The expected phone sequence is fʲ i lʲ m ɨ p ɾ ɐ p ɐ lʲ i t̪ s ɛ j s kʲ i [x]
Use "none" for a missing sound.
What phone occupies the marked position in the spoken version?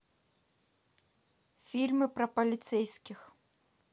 x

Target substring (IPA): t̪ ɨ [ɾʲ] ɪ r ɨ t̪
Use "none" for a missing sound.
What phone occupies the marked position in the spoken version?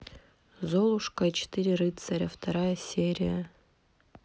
ɾʲ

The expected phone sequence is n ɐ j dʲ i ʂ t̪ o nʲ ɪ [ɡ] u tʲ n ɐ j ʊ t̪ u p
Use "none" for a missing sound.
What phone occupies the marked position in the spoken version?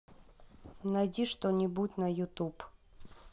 b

